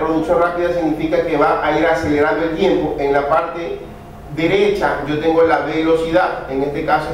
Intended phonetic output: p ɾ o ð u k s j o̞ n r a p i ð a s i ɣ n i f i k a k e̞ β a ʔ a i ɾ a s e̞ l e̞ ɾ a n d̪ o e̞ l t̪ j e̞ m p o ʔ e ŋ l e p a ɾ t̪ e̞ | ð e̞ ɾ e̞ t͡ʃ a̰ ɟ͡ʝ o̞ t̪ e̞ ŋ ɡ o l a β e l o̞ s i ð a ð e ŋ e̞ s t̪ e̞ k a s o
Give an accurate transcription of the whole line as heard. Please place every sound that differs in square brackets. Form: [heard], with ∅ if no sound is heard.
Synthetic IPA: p ɾ o ð u k s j o̞ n r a p i ð a s i ɣ n i f i k a k e̞ β a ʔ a i ɾ a s e̞ l e̞ ɾ a n d̪ o e̞ l t̪ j e̞ m p o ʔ e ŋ l [a] p a ɾ t̪ e̞ | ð e̞ ɾ e̞ t͡ʃ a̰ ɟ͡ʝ o̞ t̪ e̞ ŋ ɡ o l a β e l o̞ s i ð a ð e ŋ e̞ s t̪ e̞ k a s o